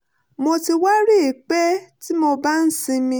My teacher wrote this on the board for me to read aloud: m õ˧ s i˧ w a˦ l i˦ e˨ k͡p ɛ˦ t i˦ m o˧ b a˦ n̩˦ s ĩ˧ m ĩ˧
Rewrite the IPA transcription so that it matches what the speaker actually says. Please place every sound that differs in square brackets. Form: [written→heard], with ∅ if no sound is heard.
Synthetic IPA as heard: m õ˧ [s→t] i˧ w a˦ [l→ɾ] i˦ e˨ k͡p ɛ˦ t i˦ m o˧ b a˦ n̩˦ s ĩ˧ m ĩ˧